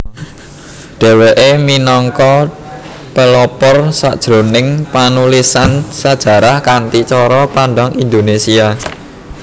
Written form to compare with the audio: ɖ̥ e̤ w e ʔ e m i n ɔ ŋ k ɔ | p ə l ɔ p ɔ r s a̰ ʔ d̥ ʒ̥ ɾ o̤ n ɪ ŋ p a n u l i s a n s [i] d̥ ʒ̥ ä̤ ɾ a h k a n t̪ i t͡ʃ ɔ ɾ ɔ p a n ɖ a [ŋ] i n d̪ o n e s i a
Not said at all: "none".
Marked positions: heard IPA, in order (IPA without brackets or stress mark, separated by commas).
a, ŋ